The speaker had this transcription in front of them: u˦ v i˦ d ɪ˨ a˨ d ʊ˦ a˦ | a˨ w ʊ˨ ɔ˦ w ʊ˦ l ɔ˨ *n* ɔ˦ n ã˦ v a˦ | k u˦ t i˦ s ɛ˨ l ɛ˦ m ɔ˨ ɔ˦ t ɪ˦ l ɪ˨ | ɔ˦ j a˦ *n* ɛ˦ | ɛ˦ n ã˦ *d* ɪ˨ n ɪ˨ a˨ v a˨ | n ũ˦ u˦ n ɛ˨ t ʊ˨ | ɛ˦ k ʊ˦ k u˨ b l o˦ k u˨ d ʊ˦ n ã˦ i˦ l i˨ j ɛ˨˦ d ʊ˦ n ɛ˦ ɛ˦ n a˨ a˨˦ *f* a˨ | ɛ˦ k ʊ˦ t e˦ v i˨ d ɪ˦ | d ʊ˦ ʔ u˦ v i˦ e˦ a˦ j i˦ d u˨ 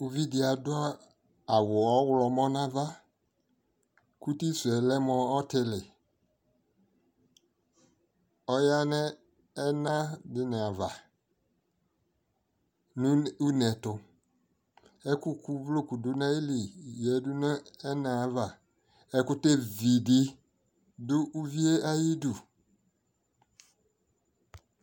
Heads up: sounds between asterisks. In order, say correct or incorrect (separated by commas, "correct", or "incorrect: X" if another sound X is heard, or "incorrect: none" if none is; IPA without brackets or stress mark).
incorrect: m, correct, correct, incorrect: v